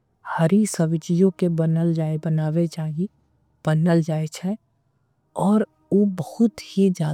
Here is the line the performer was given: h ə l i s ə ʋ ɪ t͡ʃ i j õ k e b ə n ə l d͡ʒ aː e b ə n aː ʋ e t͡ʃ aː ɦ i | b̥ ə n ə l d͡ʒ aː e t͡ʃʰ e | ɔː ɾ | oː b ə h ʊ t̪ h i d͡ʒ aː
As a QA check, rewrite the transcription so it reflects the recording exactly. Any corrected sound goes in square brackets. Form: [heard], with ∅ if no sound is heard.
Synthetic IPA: h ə [ɾ] i s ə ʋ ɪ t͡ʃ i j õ k e b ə n ə l d͡ʒ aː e b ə n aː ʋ e t͡ʃ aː ɦ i | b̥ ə n ə l d͡ʒ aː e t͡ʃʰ [ɛ] | ɔː ɾ | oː b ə h ʊ t̪ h i d͡ʒ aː